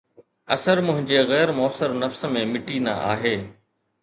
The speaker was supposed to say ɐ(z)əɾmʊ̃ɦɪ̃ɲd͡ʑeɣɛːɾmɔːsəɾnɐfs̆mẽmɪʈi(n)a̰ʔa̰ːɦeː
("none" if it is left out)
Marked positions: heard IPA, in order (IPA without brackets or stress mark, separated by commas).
s, n